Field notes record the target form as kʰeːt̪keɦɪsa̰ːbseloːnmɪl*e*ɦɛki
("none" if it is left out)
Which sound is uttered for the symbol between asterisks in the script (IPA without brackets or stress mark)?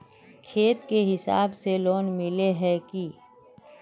e